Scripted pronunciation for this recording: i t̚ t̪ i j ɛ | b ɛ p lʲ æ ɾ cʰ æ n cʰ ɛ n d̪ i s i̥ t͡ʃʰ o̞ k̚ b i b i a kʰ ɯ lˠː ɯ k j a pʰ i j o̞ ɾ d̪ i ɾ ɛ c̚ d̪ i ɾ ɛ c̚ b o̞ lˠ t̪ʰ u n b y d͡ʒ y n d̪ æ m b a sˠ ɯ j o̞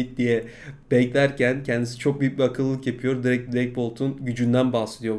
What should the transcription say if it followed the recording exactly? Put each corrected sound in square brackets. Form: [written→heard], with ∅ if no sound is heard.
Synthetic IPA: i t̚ [t̪→d̪] i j ɛ | b ɛ [p→c] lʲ æ ɾ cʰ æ n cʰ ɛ n d̪ i s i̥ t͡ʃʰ o̞ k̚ b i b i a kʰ ɯ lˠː ɯ k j a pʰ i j o̞ ɾ d̪ i ɾ ɛ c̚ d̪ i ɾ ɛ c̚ b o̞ lˠ t̪ʰ u n [b→ɟ] y d͡ʒ y n d̪ æ [m→n] b a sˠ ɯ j o̞